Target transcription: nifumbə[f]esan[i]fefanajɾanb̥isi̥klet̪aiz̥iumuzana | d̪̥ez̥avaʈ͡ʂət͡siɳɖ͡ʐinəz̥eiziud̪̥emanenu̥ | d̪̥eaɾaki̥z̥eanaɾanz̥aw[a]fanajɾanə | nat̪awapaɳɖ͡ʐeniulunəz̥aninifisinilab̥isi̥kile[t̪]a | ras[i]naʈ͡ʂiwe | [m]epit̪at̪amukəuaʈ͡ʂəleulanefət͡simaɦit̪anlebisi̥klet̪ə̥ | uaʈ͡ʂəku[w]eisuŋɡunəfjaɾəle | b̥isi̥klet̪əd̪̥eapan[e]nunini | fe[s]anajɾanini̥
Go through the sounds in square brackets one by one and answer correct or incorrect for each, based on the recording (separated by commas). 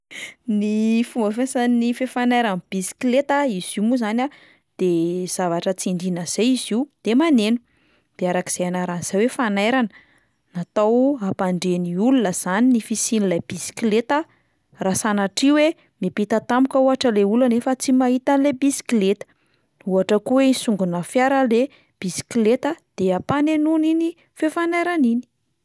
correct, correct, incorrect, correct, incorrect, correct, correct, correct, incorrect